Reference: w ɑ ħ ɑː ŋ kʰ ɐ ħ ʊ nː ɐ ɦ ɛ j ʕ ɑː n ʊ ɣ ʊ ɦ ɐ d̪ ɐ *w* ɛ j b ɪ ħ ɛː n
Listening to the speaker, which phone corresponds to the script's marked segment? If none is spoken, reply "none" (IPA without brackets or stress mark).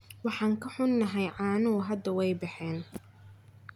w